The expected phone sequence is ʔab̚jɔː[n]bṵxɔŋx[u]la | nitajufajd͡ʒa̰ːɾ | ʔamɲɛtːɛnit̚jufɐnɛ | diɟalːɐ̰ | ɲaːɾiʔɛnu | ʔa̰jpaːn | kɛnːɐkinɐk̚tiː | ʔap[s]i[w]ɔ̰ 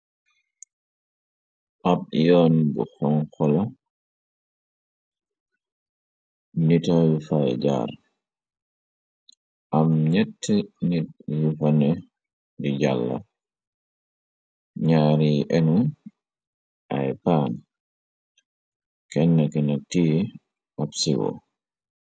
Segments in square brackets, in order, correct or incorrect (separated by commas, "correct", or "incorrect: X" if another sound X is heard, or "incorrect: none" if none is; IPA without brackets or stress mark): correct, incorrect: ɔ, correct, correct